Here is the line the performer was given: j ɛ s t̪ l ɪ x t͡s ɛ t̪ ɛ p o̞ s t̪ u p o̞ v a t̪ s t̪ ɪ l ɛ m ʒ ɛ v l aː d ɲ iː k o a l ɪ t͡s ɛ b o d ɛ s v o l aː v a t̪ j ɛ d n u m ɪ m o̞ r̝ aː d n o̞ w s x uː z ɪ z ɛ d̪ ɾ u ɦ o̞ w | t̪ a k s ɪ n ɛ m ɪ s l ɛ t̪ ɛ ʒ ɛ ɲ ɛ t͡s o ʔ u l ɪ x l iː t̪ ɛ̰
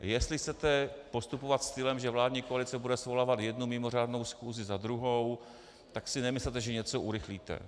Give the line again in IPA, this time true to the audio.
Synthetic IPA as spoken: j ɛ s t̪ l ɪ x t͡s ɛ t̪ ɛ p o̞ s t̪ u p o̞ v a t̪ s t̪ ɪ l ɛ m ʒ ɛ v l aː d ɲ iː k o a l ɪ t͡s ɛ b u d ɛ s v o l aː v a t̪ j ɛ d n u m ɪ m o̞ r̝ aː d n o̞ w s x uː z ɪ z a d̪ ɾ u ɦ o̞ w | t̪ a k s ɪ n ɛ m ɪ s l ɛ t̪ ɛ ʒ ɛ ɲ ɛ t͡s o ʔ u ɾ ɪ x l iː t̪ ɛ̰